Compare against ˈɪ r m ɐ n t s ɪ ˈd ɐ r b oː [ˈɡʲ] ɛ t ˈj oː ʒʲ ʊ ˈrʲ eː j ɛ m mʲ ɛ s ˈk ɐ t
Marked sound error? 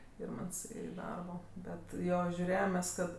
yes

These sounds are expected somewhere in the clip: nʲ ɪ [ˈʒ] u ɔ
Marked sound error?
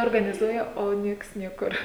yes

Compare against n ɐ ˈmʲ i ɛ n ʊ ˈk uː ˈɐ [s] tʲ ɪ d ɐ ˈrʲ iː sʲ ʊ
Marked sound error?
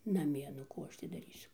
yes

